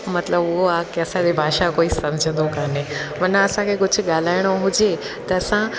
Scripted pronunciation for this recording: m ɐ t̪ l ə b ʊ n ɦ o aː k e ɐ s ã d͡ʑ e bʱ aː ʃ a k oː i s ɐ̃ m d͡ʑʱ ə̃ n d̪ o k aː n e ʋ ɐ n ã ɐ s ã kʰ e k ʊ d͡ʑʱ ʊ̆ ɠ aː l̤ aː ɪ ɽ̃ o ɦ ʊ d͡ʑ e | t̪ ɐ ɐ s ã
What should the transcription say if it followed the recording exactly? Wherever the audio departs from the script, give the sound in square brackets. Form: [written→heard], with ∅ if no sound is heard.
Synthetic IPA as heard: m ɐ t̪ l ə b ʊ [n→∅] ɦ o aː k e ɐ s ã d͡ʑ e bʱ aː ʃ a k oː i s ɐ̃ m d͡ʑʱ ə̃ n d̪ o k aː n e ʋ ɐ n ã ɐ s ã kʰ e k ʊ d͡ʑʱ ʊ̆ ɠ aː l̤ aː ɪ ɽ̃ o ɦ ʊ d͡ʑ e | t̪ ɐ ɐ s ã